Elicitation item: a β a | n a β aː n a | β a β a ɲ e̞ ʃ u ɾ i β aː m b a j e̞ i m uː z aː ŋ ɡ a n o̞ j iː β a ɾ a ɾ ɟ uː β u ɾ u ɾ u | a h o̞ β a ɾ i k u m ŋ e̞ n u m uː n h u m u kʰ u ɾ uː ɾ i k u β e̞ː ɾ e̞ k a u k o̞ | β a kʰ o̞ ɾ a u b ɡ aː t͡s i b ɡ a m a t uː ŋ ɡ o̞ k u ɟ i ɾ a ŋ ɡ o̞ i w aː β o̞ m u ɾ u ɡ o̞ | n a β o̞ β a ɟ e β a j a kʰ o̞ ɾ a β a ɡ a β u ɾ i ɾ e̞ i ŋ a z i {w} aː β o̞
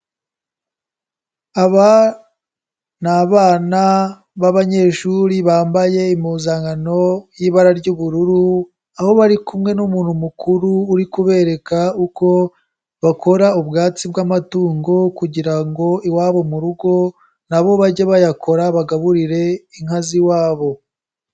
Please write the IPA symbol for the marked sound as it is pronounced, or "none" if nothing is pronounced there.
w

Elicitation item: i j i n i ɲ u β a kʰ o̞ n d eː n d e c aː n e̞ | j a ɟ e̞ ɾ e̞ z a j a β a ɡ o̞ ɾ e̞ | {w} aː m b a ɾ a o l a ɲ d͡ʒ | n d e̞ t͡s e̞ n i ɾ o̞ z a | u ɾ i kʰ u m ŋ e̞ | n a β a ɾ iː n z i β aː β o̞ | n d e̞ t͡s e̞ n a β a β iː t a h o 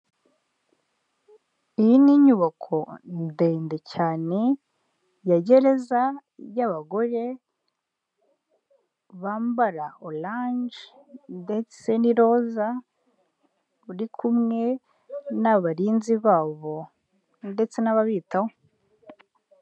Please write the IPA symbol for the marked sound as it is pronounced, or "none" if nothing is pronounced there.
β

